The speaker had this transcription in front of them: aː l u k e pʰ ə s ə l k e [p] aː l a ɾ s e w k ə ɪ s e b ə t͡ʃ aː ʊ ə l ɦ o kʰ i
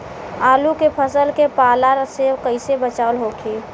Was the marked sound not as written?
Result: no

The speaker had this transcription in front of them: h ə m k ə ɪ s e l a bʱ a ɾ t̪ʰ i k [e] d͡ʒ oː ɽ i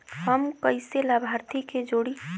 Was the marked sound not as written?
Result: no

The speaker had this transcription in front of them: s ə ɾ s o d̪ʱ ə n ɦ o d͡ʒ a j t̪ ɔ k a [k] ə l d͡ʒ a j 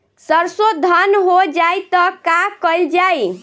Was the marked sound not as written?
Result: no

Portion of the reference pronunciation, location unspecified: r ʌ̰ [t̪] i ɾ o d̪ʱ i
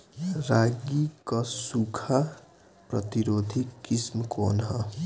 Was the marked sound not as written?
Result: no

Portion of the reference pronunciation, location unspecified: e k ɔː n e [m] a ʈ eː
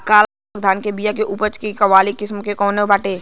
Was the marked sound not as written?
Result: yes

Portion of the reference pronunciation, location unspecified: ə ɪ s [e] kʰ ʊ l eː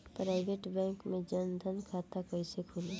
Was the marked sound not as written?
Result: no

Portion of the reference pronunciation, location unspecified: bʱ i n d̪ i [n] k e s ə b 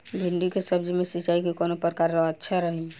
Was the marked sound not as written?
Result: yes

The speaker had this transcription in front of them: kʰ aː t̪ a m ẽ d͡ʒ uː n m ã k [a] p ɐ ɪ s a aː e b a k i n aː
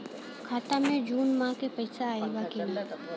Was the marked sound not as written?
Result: yes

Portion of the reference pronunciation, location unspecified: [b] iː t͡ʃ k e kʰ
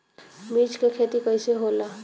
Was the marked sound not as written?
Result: yes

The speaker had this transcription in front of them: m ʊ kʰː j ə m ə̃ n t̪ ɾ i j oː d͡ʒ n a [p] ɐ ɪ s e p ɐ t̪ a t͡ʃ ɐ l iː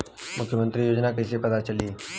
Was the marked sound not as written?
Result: yes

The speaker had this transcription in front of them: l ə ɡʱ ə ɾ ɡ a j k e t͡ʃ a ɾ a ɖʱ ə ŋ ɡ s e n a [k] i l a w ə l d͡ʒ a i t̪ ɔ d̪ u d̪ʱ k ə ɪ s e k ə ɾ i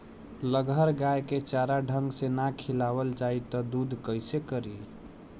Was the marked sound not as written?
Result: yes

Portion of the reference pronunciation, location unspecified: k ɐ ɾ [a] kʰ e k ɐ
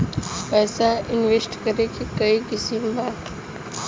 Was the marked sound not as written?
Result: yes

